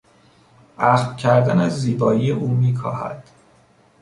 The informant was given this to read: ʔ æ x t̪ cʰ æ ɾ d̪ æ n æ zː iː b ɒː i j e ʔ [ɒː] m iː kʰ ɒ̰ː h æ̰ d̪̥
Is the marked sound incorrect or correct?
incorrect: uː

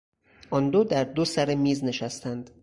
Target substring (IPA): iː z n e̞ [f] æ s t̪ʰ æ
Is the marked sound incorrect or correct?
incorrect: ʃ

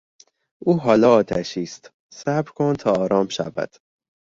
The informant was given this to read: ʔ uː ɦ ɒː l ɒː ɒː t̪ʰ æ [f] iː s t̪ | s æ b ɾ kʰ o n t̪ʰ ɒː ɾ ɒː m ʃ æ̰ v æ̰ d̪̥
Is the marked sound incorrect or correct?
incorrect: ʃ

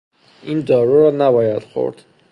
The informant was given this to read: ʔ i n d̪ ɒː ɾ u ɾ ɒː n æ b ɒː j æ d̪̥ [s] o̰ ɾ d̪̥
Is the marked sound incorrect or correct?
incorrect: x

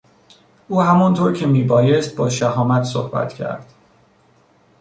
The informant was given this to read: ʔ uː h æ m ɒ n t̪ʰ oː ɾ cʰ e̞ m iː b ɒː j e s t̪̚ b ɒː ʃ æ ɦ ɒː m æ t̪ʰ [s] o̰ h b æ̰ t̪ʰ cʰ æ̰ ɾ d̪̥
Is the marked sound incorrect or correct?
correct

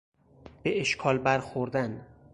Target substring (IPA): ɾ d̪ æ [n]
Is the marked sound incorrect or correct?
correct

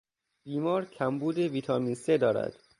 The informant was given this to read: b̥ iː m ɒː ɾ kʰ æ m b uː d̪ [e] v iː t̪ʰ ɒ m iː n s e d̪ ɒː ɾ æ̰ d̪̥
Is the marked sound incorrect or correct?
correct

